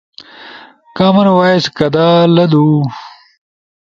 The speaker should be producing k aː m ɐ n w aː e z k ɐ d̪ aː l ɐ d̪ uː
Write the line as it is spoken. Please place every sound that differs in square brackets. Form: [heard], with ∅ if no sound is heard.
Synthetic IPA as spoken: k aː m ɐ n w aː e [s] k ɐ d̪ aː l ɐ d̪ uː